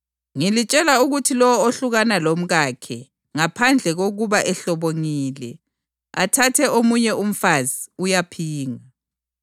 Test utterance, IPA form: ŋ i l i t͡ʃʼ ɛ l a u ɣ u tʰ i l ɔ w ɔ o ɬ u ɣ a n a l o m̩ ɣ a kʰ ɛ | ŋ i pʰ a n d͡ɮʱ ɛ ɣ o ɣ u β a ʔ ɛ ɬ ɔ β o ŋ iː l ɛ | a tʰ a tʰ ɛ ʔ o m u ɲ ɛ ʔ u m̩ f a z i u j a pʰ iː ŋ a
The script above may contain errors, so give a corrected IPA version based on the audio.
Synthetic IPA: ŋ i l i t͡ʃʼ ɛ l a u ɣ u tʰ i l ɔ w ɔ o ɬ u ɣ a n a l o m̩ ɣ a kʰ ɛ | ŋ a pʰ a n d͡ɮʱ ɛ ɣ o ɣ u β a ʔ ɛ ɬ ɔ β o ŋ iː l ɛ | a tʰ a tʰ ɛ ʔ o m u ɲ ɛ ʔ u m̩ f a z i u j a pʰ iː ŋ a